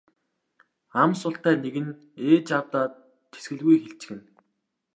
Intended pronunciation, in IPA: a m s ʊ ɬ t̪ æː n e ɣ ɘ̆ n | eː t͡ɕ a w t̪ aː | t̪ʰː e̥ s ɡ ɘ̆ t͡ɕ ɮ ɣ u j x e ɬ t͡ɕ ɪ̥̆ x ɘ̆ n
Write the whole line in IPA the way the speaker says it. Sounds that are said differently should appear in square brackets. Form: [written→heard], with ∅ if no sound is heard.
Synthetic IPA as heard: a m s ʊ ɬ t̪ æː n e ɣ ɘ̆ n | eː t͡ɕ a w t̪ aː | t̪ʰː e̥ s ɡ ɘ̆ [t͡ɕ→∅] ɮ ɣ u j x e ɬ t͡ɕ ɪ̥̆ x ɘ̆ n